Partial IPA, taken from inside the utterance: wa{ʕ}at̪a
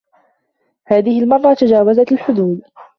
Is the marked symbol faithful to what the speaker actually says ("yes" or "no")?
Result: no